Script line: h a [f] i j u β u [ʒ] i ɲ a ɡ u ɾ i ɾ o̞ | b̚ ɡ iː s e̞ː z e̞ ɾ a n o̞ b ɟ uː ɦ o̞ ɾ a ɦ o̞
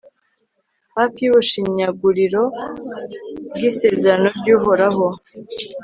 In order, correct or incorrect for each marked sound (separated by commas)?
correct, incorrect